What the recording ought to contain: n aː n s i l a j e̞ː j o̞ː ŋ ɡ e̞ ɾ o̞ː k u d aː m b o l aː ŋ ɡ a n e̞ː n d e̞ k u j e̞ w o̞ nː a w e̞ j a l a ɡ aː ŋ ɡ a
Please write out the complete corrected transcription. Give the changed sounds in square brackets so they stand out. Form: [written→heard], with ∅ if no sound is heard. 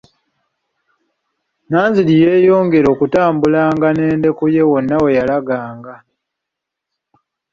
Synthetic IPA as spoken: n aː n [s→z] i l [a→i] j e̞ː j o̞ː ŋ ɡ e̞ ɾ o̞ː k u [d→t] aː m b [o→u] l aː ŋ ɡ a n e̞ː n d e̞ k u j e̞ w o̞ nː a w e̞ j a l a ɡ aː ŋ ɡ a